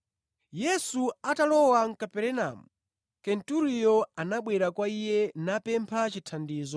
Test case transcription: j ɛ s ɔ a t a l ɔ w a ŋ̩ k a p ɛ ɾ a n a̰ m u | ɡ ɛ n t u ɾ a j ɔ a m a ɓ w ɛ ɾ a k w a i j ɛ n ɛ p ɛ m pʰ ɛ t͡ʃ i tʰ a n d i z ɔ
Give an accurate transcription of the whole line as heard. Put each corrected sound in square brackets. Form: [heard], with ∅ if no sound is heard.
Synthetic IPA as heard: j ɛ s [u] a t a l ɔ w a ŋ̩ k a p ɛ ɾ [ɛ] n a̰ m u | [k] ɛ n t u ɾ [i] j ɔ a [n] a ɓ w ɛ ɾ a k w a i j ɛ n [a] p ɛ m pʰ [a] t͡ʃ i tʰ a n d [iː] z ɔ